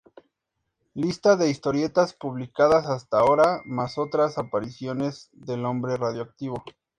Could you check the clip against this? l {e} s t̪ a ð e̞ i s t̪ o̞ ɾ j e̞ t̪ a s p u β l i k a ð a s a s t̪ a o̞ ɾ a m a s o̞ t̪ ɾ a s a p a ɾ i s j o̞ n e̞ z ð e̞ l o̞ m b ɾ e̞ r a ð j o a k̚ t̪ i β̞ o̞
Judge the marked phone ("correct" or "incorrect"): incorrect